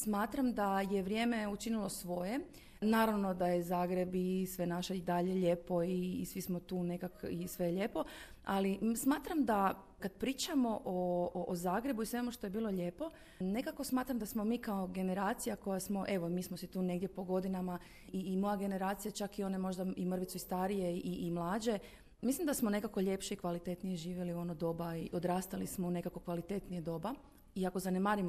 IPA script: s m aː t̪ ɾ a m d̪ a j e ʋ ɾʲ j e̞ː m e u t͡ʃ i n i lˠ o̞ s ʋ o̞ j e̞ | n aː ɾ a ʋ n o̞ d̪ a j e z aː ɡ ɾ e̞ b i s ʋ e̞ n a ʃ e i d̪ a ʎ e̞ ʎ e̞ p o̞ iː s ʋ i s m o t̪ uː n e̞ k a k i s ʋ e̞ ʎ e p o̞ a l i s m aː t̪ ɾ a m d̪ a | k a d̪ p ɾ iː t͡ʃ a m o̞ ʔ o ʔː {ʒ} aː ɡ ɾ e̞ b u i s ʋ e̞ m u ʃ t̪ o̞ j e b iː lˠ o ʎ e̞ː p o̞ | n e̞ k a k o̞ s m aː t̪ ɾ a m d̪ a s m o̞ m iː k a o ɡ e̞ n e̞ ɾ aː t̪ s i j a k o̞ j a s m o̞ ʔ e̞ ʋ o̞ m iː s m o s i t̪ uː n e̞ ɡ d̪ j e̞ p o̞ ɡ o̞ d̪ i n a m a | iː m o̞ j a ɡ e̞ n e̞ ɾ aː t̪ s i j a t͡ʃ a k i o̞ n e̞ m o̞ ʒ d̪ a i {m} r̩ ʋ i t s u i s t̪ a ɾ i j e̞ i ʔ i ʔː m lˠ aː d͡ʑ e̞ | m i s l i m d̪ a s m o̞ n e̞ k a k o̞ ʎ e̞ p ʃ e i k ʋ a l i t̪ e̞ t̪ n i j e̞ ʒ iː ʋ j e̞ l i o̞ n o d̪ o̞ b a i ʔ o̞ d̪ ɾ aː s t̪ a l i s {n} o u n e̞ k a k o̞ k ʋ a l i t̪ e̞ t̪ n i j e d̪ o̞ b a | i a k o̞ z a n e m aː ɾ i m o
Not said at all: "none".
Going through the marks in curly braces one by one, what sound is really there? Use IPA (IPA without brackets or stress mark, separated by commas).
z, m, m